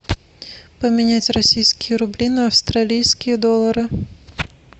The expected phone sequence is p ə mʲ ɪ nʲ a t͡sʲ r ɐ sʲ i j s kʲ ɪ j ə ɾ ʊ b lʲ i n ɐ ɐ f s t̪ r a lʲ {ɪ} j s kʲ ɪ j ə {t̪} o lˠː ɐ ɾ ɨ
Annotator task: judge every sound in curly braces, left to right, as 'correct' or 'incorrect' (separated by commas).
incorrect, incorrect